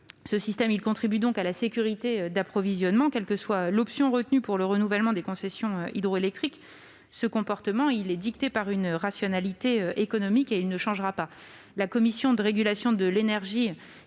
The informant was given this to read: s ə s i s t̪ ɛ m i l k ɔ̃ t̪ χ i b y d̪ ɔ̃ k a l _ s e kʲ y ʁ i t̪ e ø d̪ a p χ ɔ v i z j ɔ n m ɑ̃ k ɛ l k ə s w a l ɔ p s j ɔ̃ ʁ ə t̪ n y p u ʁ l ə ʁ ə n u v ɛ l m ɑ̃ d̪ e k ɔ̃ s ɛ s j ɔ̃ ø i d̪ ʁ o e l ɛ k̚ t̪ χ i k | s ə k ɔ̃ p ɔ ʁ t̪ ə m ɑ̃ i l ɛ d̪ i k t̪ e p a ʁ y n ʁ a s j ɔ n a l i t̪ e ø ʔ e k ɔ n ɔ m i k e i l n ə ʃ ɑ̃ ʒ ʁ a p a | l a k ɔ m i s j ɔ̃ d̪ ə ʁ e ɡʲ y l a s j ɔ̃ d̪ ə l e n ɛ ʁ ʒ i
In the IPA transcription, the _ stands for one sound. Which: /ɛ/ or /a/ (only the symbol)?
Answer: a